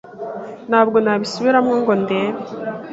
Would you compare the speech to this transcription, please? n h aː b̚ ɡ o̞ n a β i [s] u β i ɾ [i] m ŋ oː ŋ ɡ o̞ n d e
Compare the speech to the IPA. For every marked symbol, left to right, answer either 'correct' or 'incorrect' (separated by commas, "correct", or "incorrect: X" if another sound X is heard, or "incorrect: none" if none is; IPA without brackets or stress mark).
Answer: correct, incorrect: a